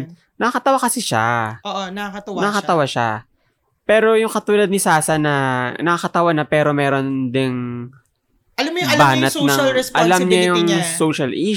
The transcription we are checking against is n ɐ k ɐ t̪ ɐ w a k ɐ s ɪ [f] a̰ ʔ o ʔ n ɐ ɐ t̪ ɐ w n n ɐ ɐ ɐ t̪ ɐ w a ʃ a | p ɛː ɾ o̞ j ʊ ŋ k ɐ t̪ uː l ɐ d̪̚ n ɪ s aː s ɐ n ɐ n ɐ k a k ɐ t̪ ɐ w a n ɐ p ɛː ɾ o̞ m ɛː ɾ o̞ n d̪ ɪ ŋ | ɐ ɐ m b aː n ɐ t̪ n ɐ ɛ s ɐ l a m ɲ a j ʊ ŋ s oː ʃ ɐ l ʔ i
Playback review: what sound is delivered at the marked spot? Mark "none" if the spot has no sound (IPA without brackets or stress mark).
ʃ